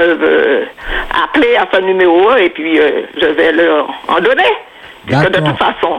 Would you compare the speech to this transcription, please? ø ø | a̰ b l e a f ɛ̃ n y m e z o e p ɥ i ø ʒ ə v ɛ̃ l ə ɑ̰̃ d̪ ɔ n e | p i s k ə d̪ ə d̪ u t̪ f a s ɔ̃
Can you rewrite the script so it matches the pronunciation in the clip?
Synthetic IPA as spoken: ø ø | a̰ p l e a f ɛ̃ n y m e ʁ o e p ɥ i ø ʒ ə v ɛ l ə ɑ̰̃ d̪ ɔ n e | p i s k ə d̪ ə t̪ u t̪ f a s ɔ̃